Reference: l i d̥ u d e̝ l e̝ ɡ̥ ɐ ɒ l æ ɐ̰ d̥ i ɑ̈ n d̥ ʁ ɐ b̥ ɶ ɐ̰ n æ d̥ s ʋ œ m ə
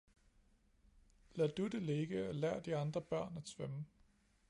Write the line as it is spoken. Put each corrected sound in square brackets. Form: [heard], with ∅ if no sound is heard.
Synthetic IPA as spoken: l [æ] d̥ u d e̝ l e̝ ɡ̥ [ə] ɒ l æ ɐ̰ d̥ i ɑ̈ n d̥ ʁ ɐ b̥ ɶ ɐ̰ n æ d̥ s ʋ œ m ə